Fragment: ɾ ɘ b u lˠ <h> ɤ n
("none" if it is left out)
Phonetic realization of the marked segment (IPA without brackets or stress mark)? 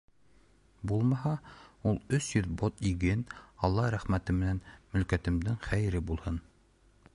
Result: h